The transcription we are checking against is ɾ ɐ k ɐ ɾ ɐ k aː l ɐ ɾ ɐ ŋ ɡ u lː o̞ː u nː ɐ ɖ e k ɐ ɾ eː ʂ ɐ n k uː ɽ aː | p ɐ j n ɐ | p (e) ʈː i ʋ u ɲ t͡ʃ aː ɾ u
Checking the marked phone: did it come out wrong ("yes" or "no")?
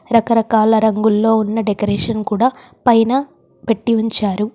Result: no